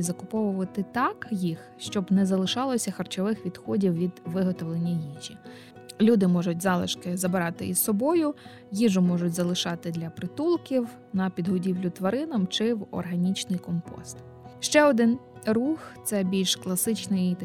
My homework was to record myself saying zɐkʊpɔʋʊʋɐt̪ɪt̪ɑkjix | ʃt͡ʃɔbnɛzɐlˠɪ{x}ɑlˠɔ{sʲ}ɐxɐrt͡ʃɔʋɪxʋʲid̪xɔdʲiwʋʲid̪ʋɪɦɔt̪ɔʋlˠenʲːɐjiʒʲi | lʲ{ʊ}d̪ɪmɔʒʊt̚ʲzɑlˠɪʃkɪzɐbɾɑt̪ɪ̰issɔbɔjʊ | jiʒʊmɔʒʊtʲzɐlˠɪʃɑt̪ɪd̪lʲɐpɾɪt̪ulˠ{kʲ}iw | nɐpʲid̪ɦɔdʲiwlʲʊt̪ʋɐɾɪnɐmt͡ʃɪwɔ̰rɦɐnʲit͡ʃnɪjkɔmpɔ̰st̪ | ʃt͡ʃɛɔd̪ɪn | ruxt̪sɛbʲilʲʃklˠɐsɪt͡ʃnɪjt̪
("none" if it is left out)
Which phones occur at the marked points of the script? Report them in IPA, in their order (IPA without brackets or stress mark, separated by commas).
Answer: ʃ, sʲ, u, kʲ